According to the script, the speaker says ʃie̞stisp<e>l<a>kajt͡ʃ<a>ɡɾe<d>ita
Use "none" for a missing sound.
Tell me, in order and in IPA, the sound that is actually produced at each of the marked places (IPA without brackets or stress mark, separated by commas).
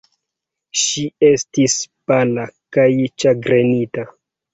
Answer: a, a, a, n